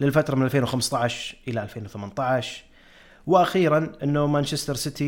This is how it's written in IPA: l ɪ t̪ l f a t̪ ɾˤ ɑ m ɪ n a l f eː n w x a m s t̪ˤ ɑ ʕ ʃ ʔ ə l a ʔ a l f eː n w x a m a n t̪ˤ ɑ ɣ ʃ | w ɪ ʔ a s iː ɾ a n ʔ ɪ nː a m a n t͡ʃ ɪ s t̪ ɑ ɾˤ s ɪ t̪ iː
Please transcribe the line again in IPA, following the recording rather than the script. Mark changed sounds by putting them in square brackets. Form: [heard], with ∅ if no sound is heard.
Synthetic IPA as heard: l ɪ [∅] l f a t̪ ɾˤ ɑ m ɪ n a l f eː n w x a m s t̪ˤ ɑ ʕ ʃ ʔ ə l a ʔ a l f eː n w [θ] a m a n t̪ˤ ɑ [ʕ] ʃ | w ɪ ʔ a [x] iː ɾ a n ʔ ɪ nː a m a n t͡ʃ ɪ s t̪ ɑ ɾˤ s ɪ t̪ [i]